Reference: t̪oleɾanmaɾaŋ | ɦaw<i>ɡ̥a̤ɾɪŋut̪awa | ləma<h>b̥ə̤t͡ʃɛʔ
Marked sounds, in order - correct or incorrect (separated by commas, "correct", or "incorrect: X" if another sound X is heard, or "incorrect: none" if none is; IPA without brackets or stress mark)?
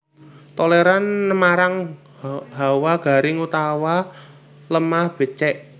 incorrect: a, correct